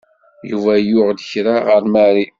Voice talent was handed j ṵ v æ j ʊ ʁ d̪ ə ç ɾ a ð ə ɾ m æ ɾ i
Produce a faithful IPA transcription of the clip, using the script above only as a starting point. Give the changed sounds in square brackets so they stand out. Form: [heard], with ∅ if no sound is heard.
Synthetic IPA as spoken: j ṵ v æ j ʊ ʁ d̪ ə ç ɾ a [ʁ] ə ɾ m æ ɾ i